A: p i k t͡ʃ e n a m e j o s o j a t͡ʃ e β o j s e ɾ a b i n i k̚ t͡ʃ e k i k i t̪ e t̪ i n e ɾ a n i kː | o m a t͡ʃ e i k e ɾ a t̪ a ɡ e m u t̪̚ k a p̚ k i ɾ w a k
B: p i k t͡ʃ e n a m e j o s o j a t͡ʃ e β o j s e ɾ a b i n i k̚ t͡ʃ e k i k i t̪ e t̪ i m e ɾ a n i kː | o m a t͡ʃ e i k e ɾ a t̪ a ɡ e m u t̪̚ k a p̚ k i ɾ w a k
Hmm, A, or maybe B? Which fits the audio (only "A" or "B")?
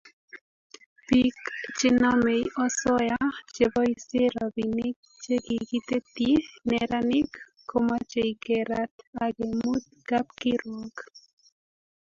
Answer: A